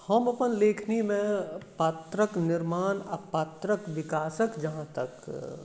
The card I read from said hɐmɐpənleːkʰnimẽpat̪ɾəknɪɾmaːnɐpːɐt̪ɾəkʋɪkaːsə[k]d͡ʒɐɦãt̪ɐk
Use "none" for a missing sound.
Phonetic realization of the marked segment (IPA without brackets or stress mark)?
k